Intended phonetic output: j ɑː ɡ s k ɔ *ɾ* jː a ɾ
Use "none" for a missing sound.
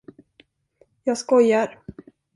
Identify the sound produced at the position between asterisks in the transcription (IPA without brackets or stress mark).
none